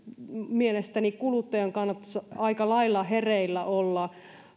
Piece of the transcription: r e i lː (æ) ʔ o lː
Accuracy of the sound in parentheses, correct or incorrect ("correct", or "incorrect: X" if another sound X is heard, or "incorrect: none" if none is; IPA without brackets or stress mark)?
correct